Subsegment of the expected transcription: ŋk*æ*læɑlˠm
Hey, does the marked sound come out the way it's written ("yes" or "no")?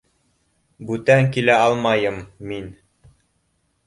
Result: no